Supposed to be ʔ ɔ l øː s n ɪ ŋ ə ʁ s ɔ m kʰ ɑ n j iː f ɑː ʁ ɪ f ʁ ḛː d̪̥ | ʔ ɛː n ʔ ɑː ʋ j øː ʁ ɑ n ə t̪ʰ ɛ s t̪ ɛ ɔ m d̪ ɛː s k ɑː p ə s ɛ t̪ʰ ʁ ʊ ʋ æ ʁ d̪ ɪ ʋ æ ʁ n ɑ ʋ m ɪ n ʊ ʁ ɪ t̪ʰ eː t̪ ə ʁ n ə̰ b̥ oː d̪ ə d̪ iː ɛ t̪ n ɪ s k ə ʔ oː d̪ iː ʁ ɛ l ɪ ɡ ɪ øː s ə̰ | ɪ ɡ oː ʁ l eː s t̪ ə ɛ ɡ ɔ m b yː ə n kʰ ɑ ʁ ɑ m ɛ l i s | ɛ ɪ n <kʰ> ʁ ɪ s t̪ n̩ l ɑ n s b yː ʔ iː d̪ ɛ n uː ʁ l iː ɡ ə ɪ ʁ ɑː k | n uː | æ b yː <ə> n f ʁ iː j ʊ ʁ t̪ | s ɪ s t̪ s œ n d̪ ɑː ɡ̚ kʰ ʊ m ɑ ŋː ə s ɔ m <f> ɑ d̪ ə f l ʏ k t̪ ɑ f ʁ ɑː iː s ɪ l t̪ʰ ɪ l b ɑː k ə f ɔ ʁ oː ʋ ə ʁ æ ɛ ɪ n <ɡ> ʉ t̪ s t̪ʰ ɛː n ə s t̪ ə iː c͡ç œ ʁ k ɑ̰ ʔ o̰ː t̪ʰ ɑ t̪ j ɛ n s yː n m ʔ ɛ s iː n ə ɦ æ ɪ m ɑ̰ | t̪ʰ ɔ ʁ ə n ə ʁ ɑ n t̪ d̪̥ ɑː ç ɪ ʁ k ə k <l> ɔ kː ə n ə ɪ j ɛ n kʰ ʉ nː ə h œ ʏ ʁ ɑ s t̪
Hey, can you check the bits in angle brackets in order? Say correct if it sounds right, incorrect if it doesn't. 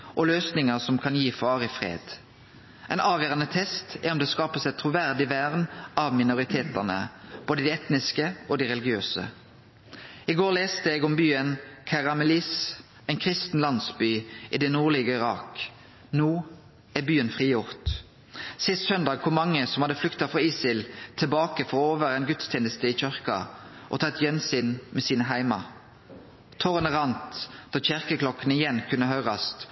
correct, correct, incorrect: h, correct, correct

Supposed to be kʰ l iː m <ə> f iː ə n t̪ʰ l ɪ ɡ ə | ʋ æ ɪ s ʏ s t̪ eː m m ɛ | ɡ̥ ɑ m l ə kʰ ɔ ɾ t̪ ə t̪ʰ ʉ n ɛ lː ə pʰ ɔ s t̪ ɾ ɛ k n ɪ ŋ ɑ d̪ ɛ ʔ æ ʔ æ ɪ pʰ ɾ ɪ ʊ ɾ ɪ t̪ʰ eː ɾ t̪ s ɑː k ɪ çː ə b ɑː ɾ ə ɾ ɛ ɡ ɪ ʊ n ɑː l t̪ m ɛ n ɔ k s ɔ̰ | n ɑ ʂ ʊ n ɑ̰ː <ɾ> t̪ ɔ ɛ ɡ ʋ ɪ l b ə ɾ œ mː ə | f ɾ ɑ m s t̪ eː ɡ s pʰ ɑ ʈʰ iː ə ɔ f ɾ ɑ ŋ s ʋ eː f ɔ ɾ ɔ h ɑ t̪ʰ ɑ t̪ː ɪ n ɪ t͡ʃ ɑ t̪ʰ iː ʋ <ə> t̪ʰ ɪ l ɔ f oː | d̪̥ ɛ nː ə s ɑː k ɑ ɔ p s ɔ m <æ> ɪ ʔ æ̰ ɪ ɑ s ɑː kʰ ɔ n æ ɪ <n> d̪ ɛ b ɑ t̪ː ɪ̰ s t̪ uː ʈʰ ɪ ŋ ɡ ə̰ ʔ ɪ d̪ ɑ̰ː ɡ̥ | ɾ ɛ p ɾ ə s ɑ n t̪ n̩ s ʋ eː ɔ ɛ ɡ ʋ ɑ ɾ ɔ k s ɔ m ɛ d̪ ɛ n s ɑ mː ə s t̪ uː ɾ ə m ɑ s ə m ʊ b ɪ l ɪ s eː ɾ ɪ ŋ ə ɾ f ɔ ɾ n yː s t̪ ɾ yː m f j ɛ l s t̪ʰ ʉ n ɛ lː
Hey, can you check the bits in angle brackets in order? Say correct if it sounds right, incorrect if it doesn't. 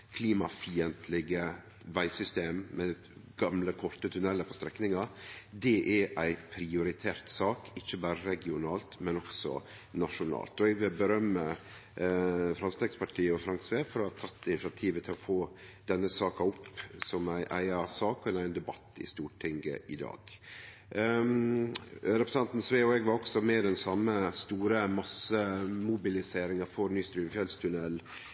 incorrect: ɑ, incorrect: l, correct, correct, correct

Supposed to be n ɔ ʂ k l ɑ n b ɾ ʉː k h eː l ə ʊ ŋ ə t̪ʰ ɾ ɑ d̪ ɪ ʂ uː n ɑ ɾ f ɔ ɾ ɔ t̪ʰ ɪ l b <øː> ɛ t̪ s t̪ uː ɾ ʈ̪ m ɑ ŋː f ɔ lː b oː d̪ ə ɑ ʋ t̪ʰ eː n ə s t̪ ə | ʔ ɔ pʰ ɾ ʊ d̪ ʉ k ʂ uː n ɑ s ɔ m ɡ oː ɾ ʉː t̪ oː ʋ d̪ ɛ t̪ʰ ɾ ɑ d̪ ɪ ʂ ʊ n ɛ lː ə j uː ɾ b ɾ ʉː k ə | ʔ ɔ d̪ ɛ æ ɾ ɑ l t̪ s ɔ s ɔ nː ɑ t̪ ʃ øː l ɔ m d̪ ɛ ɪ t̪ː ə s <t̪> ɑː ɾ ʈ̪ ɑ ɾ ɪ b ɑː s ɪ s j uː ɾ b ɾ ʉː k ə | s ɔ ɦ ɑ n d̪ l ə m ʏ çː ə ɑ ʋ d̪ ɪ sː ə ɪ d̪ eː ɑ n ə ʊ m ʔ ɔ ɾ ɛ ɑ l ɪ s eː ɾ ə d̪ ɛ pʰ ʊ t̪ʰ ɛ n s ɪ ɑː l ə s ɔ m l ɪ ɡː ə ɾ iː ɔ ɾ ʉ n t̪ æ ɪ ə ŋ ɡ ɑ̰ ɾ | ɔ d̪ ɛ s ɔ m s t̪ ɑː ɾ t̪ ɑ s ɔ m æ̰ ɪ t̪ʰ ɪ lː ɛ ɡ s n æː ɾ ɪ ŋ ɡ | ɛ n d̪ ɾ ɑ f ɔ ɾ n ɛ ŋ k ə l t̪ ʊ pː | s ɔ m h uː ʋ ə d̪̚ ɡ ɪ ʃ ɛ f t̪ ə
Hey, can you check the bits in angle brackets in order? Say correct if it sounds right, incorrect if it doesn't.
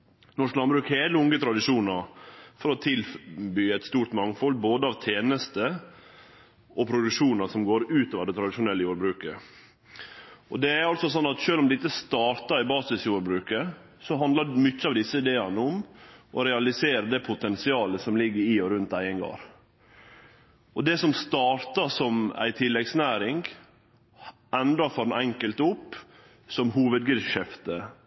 incorrect: yː, correct

